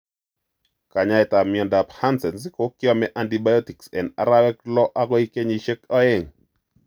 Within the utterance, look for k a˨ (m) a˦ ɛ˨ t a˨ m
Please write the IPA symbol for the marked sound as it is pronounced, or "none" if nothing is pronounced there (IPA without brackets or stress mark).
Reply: ɲ